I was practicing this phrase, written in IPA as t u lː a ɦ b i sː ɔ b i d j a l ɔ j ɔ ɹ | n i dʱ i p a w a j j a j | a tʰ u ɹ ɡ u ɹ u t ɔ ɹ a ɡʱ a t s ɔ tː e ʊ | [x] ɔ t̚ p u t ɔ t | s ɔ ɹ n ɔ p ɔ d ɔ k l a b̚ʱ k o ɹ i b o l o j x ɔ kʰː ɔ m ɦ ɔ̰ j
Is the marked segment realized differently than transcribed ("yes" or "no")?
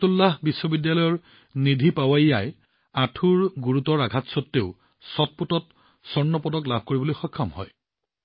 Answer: yes